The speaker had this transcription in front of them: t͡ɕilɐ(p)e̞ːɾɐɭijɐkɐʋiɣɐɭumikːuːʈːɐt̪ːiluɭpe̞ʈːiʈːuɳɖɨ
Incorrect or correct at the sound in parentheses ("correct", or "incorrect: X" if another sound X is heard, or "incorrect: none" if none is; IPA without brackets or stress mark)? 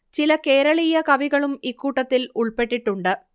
incorrect: k